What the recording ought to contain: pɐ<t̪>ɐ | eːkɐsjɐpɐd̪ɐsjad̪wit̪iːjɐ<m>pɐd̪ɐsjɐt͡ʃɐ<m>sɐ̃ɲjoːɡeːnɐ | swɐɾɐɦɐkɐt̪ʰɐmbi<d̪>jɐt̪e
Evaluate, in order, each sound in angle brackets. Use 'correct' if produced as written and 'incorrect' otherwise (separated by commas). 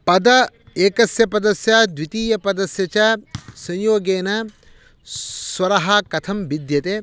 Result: incorrect, incorrect, incorrect, correct